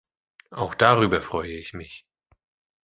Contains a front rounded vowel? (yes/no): yes